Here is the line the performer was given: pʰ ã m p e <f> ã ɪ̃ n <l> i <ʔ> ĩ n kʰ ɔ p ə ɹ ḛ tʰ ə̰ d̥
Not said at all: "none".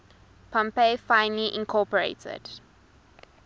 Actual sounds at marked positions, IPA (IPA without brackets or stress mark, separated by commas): f, l, ʔ